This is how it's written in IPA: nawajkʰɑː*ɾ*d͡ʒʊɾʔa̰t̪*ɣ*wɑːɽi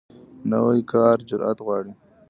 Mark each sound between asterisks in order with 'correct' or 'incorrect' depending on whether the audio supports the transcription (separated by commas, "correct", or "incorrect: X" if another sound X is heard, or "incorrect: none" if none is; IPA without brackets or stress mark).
correct, correct